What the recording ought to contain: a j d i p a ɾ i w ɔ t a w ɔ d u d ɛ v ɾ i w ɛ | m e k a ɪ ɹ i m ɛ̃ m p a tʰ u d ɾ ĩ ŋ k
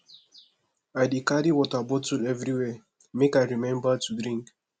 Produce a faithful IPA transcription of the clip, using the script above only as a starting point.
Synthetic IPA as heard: a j d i k a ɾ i w ɔ t a b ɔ t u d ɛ v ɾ i w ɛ | m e k a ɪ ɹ i m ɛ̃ m b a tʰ u d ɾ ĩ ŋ k